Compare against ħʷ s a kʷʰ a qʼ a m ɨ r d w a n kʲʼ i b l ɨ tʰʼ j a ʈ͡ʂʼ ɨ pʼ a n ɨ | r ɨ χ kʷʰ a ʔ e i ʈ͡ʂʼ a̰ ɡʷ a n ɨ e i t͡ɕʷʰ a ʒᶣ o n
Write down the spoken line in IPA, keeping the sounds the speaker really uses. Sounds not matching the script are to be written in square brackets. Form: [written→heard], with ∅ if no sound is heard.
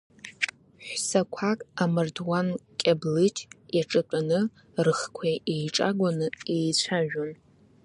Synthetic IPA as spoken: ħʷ s a kʷʰ a [qʼ→kʼ] a m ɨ r d w a n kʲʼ [i→a] b l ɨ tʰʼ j a ʈ͡ʂʼ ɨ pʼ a n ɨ | r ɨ χ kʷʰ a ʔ e [i→j] ʈ͡ʂʼ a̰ ɡʷ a n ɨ e [i→j] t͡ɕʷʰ a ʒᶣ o n